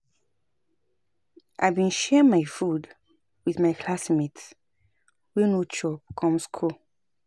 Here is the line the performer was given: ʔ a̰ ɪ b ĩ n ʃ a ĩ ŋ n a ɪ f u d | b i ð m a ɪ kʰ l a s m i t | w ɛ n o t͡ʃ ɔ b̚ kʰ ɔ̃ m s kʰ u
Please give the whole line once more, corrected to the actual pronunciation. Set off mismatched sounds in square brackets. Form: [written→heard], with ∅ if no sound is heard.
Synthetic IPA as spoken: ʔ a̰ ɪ b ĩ n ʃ [a→ɛ] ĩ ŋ [n→m] a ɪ f u d | [b→w] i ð m a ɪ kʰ l a s m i t | w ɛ n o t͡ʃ ɔ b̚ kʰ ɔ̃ m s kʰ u